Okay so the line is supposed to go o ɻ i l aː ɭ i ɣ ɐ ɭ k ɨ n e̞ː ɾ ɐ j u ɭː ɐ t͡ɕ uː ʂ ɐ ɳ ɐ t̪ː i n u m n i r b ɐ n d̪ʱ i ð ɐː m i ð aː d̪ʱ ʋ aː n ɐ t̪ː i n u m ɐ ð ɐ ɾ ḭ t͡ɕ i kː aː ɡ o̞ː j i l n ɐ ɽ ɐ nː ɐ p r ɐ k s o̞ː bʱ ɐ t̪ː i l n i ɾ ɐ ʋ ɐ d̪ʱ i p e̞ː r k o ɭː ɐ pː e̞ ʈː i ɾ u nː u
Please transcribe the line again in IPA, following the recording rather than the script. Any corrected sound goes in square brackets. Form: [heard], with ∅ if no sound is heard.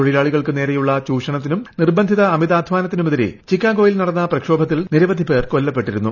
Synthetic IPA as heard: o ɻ i l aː ɭ i ɣ ɐ ɭ k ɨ n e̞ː ɾ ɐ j u ɭː ɐ t͡ɕ uː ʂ ɐ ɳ ɐ t̪ː i n u m n i r b ɐ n d̪ʱ i ð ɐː m i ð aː d̪ʱ ʋ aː n ɐ t̪ː i n u m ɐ ð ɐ ɾ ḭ t͡ɕ i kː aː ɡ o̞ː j i l n ɐ ɽ ɐ nː ɐ p r ɐ k [ʂ] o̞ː bʱ ɐ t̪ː i l n i ɾ ɐ ʋ ɐ d̪ʱ i p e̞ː r k o [lː] ɐ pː e̞ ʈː i ɾ u nː u